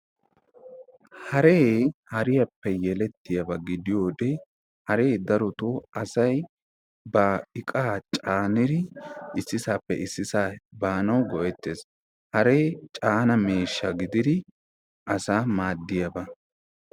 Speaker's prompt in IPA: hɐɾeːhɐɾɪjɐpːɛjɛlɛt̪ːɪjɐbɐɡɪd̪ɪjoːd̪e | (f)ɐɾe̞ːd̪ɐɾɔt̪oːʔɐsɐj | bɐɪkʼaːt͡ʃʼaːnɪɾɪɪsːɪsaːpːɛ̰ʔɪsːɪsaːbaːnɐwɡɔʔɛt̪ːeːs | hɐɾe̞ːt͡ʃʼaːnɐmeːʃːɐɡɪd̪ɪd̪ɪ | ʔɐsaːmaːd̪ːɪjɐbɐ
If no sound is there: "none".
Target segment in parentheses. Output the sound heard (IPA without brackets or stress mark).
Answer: h